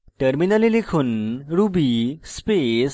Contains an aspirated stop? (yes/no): yes